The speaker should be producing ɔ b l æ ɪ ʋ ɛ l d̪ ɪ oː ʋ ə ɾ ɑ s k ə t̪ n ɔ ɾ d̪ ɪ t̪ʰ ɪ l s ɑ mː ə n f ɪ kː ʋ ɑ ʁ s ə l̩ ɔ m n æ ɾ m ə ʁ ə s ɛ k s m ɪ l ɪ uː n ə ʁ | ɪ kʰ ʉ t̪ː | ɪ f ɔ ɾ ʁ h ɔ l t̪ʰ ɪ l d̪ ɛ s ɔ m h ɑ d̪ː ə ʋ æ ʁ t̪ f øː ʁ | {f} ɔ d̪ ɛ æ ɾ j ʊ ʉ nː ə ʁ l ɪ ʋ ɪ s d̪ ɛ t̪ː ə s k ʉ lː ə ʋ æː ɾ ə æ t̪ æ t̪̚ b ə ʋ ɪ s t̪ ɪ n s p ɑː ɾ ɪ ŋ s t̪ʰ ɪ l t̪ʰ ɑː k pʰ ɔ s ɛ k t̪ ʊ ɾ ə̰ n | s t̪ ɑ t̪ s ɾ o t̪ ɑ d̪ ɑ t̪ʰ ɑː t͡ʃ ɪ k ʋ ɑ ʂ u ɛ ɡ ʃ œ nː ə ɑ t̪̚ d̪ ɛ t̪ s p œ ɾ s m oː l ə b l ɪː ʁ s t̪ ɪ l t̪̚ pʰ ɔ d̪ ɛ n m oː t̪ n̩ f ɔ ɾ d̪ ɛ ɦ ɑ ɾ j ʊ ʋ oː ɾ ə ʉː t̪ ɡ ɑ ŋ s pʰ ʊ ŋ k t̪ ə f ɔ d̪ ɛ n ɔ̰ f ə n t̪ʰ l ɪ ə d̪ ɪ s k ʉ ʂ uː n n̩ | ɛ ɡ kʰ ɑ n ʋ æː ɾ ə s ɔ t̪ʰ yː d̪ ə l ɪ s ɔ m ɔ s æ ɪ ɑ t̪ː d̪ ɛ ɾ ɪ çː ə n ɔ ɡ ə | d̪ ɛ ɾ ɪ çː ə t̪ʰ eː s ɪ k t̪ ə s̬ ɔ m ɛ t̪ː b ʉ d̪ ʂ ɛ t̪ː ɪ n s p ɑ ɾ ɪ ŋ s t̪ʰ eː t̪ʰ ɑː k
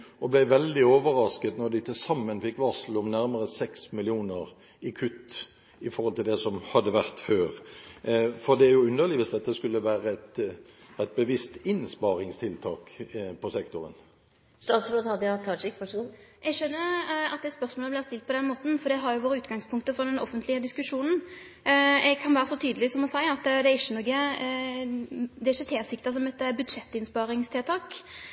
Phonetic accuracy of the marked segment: correct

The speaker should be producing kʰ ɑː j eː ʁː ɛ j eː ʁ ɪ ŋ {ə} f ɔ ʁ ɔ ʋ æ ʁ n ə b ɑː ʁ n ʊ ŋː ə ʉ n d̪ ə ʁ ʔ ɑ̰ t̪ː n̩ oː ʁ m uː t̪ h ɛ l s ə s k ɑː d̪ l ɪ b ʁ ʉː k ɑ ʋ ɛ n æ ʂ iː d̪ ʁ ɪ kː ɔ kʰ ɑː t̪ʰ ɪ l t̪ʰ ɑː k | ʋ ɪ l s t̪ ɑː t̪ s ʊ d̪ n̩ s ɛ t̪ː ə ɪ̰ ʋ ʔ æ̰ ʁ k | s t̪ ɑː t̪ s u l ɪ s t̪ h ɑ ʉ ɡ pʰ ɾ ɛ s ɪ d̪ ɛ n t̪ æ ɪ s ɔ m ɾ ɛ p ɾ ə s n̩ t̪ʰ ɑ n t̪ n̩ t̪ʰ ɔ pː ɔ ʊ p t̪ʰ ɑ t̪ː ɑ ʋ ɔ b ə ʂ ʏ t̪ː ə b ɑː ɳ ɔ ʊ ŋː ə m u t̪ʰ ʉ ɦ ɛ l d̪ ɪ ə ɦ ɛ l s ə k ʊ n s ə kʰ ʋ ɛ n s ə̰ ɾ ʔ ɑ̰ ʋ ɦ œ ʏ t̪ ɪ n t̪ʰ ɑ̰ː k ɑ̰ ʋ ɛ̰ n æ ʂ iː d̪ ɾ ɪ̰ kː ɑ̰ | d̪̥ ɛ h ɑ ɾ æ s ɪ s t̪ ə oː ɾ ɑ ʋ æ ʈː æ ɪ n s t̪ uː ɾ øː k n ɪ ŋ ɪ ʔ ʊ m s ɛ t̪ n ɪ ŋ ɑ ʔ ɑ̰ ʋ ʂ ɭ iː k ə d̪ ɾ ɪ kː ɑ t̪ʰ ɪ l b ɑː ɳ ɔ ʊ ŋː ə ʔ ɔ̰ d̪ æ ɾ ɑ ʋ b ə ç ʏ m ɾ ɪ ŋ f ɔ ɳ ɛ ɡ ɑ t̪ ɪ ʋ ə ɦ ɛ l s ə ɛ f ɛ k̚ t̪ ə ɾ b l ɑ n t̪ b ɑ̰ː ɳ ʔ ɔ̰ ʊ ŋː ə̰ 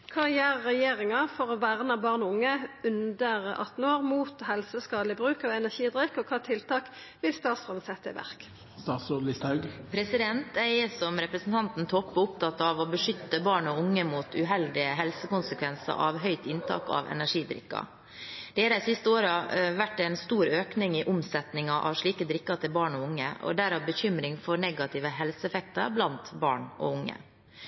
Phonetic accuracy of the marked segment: incorrect: ɑ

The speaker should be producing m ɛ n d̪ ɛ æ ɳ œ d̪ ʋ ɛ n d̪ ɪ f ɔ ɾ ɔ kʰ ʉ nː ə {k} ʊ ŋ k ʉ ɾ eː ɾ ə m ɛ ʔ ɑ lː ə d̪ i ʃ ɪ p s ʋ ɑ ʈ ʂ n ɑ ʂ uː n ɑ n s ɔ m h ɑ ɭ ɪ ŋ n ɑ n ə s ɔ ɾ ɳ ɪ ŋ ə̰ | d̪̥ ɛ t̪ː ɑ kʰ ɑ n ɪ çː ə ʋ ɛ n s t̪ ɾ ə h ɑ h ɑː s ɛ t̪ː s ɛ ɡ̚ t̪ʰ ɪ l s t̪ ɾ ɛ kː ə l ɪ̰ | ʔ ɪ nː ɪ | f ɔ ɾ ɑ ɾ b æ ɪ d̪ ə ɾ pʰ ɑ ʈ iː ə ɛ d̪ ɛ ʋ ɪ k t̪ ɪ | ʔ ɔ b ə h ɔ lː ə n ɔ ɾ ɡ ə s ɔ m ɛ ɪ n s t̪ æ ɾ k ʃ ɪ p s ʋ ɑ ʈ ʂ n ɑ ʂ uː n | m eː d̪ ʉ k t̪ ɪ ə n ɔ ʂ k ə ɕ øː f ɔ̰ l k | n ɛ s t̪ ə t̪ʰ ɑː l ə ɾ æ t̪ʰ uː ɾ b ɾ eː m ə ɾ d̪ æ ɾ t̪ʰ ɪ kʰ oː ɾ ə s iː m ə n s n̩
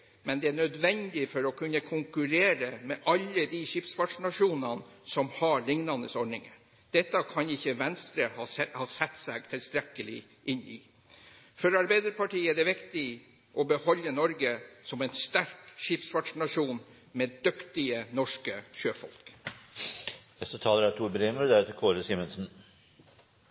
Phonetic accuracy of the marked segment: incorrect: kʰ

